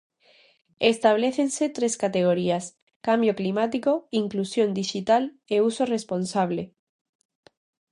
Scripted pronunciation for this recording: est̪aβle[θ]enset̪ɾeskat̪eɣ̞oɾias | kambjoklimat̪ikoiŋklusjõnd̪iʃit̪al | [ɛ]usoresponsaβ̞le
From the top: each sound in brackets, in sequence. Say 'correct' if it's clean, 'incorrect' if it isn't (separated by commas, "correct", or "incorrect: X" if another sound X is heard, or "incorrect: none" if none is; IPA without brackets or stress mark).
correct, incorrect: e